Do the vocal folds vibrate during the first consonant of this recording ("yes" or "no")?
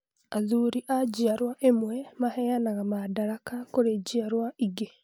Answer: yes